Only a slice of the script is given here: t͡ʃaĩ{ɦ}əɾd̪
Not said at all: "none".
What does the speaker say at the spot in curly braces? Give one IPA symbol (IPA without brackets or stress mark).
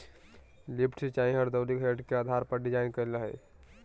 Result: ɦ